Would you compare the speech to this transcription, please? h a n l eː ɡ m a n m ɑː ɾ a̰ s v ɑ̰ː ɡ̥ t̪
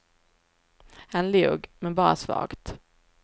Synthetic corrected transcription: h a n l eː ɡ m ɛ n b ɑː ɾ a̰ s v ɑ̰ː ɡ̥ t̪